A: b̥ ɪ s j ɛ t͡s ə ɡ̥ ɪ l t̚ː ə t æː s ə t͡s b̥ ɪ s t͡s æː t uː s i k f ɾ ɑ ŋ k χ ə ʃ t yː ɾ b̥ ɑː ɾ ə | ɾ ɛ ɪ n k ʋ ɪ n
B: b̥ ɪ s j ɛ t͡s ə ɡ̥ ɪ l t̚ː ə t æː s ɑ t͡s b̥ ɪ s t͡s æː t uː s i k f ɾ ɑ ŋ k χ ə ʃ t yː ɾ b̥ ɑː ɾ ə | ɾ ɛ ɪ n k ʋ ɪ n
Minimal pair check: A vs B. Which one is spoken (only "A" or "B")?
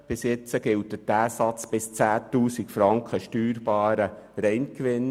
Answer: B